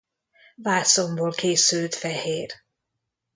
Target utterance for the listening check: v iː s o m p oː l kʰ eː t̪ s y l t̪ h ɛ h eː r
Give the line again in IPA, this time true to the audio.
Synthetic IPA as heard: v aː s o m b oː l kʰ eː s y l t̪ f ɛ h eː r